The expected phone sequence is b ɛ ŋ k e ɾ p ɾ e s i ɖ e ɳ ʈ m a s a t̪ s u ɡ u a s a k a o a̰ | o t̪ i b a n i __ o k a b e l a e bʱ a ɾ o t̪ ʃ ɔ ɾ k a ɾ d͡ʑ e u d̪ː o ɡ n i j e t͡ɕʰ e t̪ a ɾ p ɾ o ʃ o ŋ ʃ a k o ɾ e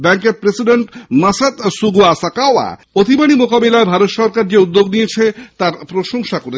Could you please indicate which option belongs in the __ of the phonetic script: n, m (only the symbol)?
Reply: m